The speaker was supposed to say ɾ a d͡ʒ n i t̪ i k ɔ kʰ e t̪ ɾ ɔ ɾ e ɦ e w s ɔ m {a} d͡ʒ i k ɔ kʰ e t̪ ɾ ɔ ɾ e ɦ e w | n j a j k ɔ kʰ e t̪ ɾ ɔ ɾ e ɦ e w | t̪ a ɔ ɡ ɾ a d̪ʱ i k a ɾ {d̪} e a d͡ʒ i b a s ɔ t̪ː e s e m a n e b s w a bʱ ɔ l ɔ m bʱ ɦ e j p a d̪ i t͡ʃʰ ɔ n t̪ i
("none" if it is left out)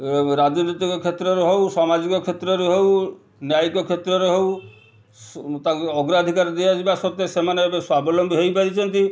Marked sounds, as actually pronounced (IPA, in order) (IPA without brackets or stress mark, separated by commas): a, d̪